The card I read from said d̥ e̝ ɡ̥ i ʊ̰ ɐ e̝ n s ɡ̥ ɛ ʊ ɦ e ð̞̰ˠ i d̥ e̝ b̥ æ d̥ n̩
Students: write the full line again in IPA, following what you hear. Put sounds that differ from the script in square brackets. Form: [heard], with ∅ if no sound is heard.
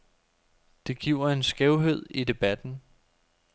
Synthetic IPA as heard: d̥ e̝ ɡ̥ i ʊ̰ ɐ e̝ n s ɡ̥ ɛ ʊ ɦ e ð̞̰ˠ i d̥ e̝ b̥ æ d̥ n̩